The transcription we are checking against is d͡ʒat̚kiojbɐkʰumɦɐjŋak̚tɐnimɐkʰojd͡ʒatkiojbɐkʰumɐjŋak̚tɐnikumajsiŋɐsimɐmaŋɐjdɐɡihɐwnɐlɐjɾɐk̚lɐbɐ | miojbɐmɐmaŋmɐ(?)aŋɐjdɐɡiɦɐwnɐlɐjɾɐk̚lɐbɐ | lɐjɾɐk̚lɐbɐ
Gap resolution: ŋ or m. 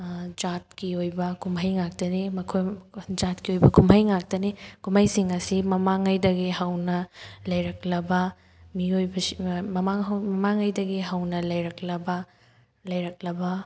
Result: m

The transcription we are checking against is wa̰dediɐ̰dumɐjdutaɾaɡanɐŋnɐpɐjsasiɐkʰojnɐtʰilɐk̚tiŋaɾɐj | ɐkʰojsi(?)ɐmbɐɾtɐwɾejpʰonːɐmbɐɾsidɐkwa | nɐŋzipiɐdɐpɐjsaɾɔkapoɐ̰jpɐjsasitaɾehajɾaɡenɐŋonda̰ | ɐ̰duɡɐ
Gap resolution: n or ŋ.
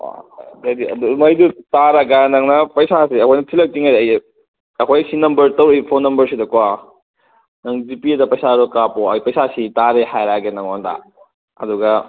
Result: n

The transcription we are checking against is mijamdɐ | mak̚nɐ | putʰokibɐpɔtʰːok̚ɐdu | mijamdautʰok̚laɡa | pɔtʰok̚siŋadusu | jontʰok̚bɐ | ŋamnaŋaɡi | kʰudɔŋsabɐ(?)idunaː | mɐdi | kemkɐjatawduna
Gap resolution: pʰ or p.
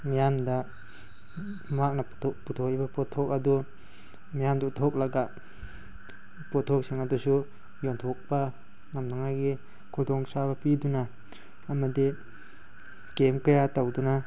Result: p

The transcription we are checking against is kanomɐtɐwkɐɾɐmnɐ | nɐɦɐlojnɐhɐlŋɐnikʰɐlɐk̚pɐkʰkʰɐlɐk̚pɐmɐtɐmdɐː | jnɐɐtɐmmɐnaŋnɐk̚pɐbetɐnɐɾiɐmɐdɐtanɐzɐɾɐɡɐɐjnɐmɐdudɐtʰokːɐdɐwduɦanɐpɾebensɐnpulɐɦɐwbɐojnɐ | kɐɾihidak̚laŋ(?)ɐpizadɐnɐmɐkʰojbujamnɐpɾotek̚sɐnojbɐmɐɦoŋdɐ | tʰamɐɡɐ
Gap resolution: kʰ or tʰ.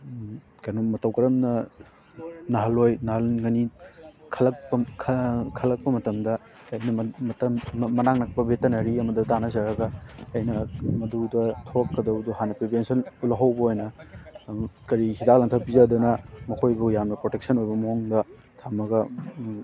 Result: tʰ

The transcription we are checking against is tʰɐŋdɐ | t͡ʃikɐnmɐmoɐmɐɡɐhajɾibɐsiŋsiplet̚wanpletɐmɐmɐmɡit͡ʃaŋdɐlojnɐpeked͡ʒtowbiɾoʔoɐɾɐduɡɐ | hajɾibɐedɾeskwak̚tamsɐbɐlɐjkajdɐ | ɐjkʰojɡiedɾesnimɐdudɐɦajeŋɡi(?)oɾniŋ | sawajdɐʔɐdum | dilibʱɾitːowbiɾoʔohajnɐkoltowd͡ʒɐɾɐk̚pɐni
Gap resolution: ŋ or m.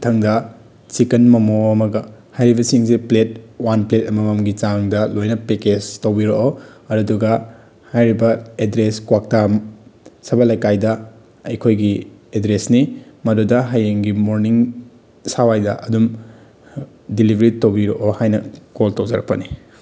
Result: m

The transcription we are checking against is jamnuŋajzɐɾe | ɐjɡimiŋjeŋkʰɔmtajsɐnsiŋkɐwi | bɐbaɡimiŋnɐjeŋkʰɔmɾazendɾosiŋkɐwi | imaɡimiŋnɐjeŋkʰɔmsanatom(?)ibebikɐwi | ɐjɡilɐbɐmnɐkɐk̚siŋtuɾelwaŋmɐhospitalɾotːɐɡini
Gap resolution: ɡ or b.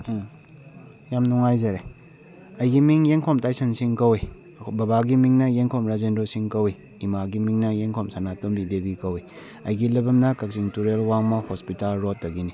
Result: b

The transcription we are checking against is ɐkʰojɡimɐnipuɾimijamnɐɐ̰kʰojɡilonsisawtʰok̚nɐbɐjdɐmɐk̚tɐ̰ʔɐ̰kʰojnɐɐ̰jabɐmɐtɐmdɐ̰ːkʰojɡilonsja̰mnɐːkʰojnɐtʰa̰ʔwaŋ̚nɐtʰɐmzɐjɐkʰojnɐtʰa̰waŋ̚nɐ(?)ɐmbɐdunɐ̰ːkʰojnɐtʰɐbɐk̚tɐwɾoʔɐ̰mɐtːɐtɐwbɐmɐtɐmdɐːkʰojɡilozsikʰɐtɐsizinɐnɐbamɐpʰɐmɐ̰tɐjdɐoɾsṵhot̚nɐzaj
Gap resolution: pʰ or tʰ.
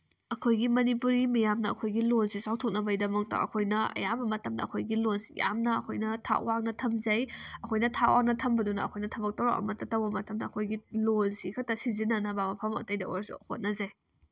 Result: tʰ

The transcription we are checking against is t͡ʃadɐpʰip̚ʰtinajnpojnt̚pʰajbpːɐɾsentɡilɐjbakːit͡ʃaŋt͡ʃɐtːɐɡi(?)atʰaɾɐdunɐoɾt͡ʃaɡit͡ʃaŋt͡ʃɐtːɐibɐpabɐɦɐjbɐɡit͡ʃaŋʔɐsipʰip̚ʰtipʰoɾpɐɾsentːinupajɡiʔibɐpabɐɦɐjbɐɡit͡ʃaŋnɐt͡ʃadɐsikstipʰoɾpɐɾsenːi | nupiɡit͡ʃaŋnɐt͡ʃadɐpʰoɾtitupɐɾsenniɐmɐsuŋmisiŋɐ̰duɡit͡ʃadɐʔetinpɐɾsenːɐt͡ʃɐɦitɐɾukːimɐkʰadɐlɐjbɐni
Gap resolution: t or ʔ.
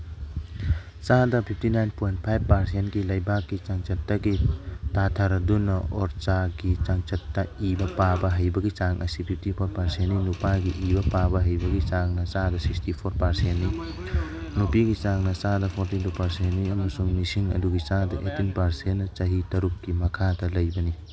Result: t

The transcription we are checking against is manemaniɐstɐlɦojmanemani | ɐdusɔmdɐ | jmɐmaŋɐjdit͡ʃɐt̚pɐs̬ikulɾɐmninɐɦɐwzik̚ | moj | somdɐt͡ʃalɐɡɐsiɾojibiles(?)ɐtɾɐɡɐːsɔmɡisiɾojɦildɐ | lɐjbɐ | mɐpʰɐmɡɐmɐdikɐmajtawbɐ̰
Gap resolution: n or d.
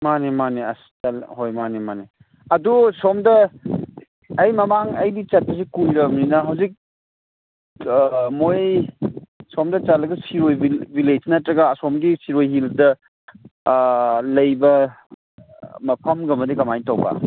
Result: n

